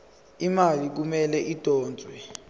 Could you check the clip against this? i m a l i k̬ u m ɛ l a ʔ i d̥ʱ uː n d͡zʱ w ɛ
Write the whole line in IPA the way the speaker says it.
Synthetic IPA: i m a l i k̬ u m ɛ l ɛ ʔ i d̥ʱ ɔː n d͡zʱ w ɛ